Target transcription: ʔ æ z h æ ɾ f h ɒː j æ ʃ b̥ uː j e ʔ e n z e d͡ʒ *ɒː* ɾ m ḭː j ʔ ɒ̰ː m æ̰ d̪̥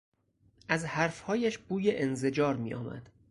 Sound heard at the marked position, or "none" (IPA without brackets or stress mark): ɒː